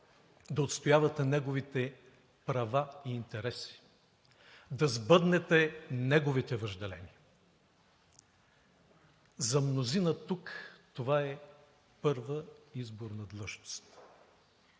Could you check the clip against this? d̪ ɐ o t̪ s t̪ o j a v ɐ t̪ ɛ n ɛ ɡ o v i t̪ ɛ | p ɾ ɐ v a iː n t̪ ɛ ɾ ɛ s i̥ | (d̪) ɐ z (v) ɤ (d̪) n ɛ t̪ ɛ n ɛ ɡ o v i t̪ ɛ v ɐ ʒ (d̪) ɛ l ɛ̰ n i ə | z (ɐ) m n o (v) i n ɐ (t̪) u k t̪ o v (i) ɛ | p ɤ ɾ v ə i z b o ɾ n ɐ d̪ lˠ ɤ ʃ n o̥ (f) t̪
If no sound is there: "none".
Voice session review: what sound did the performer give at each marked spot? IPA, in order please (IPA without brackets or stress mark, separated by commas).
d̪, b, d̪, d̪, ɐ, z, t̪, a, s